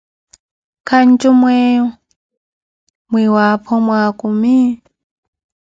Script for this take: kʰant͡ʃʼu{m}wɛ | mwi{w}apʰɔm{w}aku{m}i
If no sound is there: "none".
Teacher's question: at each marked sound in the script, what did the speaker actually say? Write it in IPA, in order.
m, w, w, m

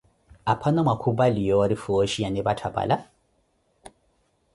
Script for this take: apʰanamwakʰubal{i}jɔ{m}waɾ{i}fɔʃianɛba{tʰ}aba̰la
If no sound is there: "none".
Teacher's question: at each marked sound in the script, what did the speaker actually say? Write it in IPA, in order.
i, none, i, tʰ

